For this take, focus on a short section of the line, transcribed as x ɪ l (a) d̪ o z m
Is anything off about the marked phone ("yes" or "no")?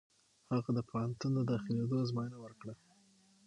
yes